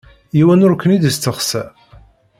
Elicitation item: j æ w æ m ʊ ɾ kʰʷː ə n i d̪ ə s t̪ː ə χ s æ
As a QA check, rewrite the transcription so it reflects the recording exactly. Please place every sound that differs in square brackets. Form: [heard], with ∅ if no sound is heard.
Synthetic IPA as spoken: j [i] w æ [n] ʊ ɾ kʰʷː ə n i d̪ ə s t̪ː ə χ s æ